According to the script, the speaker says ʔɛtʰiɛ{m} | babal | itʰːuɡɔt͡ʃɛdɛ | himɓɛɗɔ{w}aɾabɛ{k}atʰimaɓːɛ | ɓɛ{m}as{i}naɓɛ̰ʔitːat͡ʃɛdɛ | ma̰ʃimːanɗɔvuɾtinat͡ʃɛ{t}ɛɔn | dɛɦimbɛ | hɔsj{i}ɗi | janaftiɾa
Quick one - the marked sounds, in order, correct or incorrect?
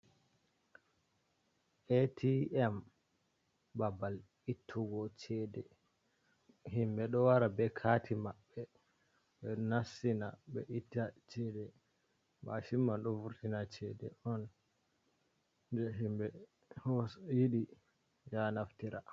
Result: correct, correct, incorrect, incorrect, correct, incorrect, correct

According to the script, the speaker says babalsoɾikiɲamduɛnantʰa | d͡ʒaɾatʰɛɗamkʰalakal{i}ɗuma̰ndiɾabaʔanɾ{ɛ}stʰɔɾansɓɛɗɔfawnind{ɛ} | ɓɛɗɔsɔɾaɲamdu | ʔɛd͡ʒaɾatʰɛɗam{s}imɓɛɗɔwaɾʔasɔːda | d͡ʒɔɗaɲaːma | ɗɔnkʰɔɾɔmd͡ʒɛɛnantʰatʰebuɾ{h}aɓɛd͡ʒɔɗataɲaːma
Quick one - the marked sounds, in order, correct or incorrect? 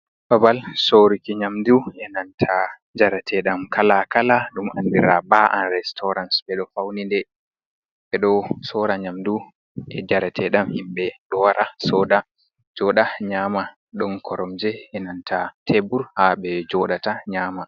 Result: incorrect, correct, correct, incorrect, correct

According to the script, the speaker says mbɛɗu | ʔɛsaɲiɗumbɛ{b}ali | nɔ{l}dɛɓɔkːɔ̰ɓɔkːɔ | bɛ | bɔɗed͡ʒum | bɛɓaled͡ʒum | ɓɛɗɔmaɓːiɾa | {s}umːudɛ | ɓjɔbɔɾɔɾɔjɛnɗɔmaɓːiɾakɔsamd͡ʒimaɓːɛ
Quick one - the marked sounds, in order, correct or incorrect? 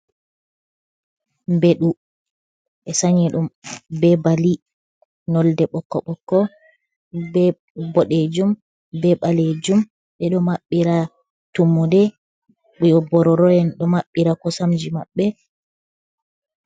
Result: correct, correct, incorrect

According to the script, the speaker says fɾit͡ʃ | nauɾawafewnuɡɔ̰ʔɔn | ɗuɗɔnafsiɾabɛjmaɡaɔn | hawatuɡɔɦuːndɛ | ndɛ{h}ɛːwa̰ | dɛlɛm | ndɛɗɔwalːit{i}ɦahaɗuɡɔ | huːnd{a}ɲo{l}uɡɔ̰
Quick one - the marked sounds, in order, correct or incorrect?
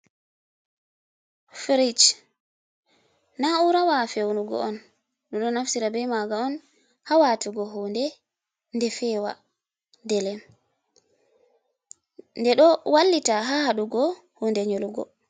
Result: incorrect, incorrect, incorrect, correct

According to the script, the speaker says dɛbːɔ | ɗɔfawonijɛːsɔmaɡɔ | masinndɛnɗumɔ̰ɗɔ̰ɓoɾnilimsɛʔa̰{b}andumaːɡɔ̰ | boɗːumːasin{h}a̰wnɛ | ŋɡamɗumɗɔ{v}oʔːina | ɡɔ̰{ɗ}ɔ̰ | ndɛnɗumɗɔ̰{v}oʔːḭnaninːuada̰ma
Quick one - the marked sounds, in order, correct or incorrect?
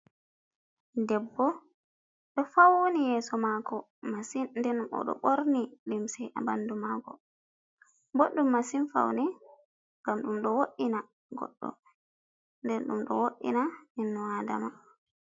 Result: correct, incorrect, incorrect, incorrect, incorrect

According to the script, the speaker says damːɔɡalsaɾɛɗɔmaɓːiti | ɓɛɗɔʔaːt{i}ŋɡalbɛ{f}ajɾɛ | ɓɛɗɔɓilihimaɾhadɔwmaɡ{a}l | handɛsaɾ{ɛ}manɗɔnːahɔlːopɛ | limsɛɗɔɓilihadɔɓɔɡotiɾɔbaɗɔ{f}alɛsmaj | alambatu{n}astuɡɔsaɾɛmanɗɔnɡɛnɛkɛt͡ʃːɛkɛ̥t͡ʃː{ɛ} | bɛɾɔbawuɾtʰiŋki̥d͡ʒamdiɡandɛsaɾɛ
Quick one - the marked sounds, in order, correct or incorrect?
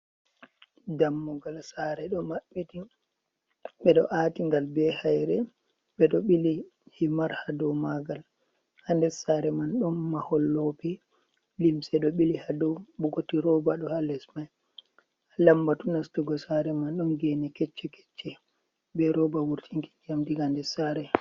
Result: correct, incorrect, correct, correct, incorrect, correct, correct

